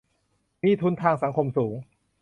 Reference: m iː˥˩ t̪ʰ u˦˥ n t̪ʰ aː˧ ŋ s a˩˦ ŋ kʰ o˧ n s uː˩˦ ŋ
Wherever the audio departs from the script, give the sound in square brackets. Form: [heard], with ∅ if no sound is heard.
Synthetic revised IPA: m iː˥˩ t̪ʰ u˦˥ n t̪ʰ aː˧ ŋ s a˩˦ ŋ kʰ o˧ [m] s uː˩˦ ŋ